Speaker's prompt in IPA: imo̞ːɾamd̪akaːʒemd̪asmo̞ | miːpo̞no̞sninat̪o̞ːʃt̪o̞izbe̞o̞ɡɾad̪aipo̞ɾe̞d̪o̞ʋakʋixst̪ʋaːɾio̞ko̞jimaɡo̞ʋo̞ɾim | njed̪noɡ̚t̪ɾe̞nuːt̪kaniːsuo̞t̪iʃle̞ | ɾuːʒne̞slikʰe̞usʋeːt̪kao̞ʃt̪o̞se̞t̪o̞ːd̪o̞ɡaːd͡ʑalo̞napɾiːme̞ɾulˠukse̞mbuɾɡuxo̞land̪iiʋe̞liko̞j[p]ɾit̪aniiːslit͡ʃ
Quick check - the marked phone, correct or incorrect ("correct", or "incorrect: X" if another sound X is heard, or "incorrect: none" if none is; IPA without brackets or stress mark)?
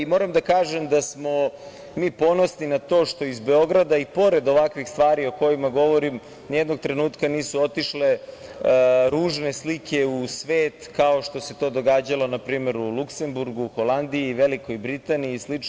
incorrect: b